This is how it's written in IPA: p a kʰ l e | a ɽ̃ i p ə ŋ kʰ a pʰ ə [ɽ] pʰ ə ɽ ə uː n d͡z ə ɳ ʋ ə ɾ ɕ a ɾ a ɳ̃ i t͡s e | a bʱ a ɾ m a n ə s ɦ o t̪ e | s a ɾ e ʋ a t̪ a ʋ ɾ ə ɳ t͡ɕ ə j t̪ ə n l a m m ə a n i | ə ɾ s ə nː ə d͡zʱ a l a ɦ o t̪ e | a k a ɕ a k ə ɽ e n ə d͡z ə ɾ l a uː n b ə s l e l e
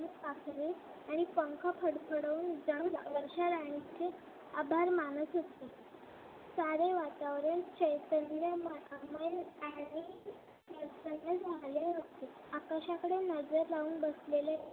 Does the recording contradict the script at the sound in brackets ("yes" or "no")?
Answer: no